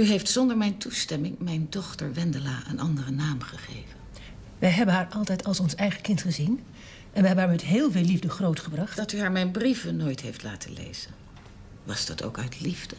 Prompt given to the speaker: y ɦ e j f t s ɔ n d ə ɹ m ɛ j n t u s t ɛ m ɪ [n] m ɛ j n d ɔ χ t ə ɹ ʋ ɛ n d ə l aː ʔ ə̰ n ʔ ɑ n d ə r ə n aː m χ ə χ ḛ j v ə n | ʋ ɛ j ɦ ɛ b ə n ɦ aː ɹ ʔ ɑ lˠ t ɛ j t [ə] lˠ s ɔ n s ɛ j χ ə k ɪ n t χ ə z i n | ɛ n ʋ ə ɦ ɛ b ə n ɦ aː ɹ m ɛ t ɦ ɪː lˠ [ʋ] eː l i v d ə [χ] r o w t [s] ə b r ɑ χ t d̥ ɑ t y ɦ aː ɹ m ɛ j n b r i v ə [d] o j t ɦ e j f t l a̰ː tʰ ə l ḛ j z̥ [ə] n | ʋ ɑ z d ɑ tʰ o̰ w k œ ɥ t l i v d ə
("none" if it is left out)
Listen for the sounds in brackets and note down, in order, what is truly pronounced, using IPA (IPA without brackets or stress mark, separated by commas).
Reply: ŋ, ɑ, v, χ, χ, n, ə